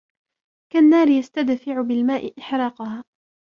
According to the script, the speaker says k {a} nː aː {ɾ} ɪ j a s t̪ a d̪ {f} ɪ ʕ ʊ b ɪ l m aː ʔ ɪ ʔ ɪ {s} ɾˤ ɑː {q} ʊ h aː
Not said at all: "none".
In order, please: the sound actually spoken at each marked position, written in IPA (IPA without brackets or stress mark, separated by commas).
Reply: a, ɾ, f, ħ, q